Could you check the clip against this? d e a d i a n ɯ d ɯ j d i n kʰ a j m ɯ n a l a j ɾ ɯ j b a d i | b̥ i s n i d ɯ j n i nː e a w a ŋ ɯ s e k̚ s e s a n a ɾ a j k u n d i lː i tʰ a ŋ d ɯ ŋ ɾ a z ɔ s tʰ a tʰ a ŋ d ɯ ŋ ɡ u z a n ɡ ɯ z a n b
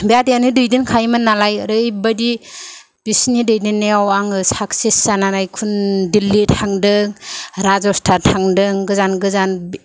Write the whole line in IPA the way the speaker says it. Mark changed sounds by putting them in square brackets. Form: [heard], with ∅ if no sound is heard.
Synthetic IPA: [b] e a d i a n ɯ d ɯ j d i n kʰ a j m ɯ n a l a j ɾ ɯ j b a d i | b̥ i s n i d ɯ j [d] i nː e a w a ŋ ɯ s [a] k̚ s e s a n a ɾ a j [kʰ] u n d i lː i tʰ a ŋ d ɯ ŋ ɾ a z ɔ s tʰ a tʰ a ŋ d ɯ ŋ ɡ [ɯ] z a n ɡ ɯ z a n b